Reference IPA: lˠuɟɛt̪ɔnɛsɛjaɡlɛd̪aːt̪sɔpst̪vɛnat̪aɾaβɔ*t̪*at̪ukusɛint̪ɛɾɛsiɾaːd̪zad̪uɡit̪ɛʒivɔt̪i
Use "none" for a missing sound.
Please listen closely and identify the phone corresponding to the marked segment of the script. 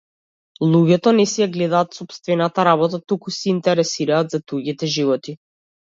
t̪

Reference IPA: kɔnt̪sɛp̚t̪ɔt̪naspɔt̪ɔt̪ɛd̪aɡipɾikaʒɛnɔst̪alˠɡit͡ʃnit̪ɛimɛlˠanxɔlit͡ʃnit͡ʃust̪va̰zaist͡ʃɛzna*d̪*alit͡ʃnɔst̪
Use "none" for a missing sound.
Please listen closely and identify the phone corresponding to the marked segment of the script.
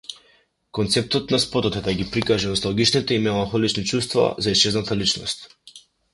t̪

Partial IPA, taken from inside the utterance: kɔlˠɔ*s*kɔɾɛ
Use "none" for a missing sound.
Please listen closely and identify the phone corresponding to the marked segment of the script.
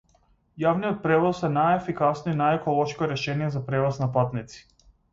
ʃ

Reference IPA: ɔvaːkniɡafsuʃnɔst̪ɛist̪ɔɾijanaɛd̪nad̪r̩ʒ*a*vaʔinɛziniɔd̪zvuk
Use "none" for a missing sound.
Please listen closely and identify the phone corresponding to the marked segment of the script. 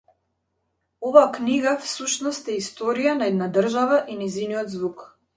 a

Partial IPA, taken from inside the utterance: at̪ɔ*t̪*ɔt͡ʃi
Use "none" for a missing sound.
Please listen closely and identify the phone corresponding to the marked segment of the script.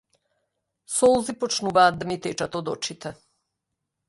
d̪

